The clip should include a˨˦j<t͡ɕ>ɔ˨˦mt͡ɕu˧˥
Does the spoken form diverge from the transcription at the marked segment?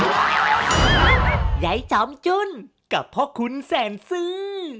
no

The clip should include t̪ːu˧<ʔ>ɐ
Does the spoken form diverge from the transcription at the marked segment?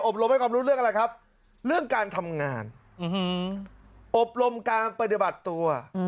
yes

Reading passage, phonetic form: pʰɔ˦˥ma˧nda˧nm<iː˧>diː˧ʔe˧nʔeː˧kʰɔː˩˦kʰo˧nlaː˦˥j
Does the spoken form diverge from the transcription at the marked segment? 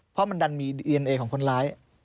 no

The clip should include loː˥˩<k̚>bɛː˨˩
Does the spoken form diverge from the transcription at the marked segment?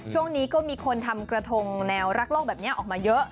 no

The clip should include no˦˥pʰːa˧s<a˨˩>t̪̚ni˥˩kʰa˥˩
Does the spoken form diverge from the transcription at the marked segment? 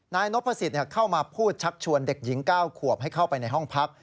yes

